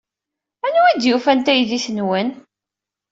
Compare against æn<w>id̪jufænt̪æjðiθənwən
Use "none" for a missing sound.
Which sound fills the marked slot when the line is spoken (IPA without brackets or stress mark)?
u